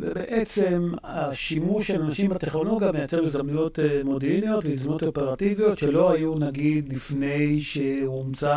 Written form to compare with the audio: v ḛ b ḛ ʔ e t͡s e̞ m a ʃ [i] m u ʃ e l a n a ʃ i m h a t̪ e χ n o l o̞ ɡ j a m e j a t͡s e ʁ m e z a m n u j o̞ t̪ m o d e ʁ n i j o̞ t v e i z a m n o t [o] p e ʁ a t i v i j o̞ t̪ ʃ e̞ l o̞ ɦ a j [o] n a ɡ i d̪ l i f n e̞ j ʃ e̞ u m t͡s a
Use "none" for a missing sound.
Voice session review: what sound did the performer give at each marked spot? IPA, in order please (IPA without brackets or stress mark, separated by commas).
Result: i, o, u